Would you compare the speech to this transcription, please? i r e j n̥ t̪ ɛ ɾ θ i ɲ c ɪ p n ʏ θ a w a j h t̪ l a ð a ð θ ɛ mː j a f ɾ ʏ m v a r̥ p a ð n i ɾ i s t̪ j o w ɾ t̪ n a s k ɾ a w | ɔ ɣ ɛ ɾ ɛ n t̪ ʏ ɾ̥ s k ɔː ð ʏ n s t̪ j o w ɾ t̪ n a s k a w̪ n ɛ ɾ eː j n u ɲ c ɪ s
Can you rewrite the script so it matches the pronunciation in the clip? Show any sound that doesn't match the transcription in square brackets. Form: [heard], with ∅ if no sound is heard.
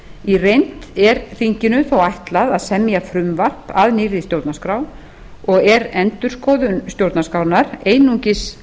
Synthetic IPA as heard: i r e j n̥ t̪ ɛ ɾ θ i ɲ c ɪ [∅] n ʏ θ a w a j h t̪ l a ð a ð [s] ɛ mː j a f ɾ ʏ m v a r̥ p a ð n i ɾ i s t̪ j o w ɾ t̪ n a s k ɾ a w | ɔ ɣ ɛ ɾ ɛ n t̪ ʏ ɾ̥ s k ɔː ð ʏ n s t̪ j o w ɾ t̪ n a s k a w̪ n [a] ɾ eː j n u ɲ c ɪ s